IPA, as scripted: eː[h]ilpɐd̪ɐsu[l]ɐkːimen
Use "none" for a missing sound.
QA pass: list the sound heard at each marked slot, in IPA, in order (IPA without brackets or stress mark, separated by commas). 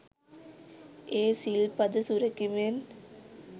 s, ɾ